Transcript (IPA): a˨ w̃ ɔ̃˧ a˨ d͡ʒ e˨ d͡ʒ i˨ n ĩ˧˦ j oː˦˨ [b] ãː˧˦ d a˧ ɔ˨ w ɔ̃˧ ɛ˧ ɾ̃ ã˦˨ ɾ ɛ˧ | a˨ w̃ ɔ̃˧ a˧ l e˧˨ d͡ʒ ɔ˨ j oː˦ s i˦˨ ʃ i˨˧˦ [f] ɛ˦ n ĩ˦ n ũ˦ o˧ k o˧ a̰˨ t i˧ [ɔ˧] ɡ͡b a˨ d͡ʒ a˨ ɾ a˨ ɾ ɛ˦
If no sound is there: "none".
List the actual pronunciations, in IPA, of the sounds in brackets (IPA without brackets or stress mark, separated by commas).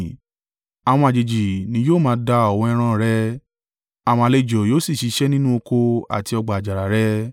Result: m, ʃ, ɔ˧